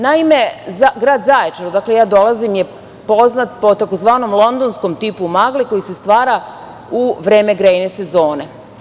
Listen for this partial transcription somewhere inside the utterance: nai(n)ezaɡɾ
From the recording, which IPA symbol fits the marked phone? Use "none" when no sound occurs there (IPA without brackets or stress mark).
m